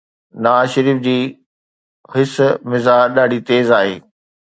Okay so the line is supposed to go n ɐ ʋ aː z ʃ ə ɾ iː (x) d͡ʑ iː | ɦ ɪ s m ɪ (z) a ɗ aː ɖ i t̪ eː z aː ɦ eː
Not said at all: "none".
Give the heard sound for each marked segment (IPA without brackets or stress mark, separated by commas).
f, z